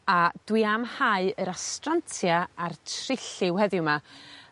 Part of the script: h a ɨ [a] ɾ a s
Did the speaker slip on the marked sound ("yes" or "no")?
yes